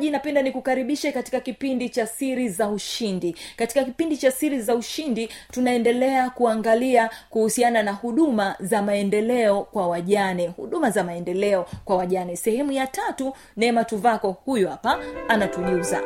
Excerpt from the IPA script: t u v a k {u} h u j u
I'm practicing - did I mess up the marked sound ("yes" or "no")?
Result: yes